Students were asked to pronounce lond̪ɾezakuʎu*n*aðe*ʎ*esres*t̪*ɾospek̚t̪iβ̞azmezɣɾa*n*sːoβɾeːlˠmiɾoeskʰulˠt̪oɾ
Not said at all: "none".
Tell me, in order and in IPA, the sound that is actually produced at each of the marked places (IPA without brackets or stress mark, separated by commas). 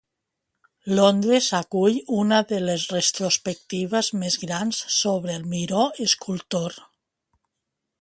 n, l, t̪, n